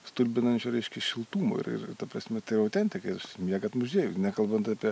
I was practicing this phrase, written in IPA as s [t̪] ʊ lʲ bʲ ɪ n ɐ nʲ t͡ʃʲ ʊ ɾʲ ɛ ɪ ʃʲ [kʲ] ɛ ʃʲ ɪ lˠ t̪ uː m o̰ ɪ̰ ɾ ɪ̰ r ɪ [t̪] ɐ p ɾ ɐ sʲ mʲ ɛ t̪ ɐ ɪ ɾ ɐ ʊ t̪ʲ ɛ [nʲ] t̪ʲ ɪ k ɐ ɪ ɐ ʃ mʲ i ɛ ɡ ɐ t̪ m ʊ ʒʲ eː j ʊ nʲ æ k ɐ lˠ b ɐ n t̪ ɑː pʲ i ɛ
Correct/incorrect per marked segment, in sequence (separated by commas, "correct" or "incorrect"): correct, correct, correct, correct